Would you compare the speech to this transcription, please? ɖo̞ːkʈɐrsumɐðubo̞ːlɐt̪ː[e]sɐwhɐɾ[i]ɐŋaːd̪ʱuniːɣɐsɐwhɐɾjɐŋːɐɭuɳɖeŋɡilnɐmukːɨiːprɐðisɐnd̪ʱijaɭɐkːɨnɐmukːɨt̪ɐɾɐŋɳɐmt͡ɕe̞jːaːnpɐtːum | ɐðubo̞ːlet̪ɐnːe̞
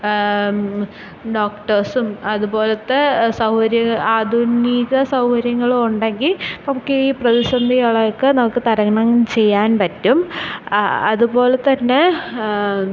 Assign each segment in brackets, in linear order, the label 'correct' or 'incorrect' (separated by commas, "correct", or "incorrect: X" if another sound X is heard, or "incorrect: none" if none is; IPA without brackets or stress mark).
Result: correct, incorrect: j